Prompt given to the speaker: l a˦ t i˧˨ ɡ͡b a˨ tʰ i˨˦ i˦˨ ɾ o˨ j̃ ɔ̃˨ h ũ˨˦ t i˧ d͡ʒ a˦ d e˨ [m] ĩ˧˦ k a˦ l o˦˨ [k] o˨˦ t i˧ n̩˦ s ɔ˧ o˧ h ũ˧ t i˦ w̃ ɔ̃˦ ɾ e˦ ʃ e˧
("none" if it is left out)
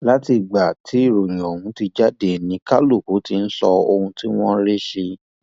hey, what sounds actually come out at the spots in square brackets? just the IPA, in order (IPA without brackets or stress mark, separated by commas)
n, k